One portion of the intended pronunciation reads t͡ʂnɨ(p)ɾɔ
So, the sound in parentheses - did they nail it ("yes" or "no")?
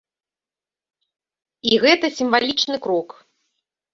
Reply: no